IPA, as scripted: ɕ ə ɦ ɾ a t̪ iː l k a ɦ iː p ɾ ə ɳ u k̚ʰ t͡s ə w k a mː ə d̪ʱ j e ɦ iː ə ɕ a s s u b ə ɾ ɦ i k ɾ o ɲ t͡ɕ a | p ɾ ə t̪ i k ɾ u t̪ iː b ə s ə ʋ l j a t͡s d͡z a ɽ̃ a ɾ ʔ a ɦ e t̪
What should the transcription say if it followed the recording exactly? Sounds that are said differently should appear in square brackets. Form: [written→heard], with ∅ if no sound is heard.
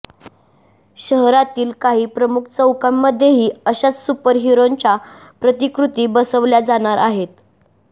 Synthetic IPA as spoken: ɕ ə ɦ ɾ a t̪ iː l k a ɦ iː p ɾ ə [ɳ→m] u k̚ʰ t͡s ə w k a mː ə d̪ʱ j e ɦ iː ə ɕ a [s→t͡s] s u [b→p] ə ɾ ɦ i [k→∅] ɾ o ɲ t͡ɕ a | p ɾ ə t̪ i k ɾ u t̪ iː b ə s ə ʋ l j a [t͡s→∅] d͡z a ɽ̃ a ɾ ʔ a ɦ e t̪